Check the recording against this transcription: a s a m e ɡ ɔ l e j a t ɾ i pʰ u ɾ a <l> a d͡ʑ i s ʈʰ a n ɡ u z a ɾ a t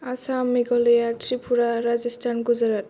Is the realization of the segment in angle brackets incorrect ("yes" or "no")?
yes